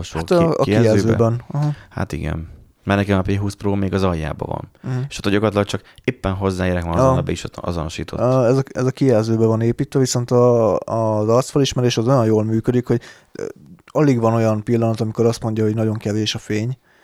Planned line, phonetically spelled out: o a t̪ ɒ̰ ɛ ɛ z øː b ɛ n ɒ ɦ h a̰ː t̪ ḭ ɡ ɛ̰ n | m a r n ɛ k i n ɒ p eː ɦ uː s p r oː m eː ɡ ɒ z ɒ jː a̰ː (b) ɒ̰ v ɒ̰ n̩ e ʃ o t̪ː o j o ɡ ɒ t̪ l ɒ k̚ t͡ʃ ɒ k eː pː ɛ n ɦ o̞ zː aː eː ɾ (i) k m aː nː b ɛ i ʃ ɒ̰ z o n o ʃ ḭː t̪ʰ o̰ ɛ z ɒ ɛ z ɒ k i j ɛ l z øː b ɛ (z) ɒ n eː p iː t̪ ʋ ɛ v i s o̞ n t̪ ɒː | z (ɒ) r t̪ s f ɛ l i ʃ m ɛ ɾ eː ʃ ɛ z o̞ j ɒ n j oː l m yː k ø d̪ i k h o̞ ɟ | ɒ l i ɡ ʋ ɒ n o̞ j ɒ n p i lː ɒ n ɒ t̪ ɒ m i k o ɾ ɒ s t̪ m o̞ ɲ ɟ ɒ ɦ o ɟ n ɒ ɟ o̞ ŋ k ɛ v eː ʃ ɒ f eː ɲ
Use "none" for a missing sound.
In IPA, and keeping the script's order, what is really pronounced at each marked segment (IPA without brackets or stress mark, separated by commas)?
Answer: b, ɛ, v, ɒ